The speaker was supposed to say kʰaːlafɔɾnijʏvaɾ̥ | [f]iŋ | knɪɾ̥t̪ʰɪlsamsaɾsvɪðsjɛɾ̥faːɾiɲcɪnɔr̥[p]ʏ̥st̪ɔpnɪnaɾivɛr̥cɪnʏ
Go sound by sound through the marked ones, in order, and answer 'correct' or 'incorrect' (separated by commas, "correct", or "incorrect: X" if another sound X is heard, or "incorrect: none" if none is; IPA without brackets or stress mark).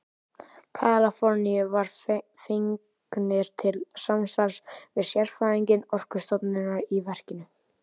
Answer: correct, incorrect: k